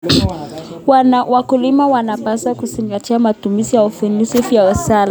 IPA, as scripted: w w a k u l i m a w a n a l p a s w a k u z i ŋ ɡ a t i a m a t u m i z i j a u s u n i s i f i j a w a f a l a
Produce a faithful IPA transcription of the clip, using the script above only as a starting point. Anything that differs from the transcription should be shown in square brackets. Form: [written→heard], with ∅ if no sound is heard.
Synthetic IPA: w w a k u l i m a w a n a [l→∅] p a s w a k u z i ŋ ɡ a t i a m a t u m i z i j a u [s→f] u n i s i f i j a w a [f→s] a l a